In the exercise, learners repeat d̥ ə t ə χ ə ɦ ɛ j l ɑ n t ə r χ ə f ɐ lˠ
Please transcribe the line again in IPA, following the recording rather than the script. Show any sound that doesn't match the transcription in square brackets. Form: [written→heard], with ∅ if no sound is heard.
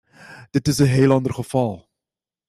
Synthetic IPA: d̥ ə t ə [χ→s] ə ɦ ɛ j l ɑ n [t→d] ə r χ ə f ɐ lˠ